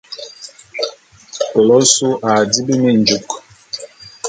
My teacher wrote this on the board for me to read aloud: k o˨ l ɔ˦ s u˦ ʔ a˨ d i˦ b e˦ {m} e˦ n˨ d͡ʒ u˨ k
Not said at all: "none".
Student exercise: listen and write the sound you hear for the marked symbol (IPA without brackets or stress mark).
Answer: m